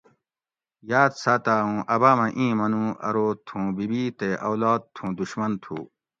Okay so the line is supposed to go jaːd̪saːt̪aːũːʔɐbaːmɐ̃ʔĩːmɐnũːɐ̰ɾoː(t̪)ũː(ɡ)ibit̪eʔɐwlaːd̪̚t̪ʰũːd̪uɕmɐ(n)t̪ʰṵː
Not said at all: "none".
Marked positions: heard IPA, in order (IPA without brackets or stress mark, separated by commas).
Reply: t̪ʰ, b, n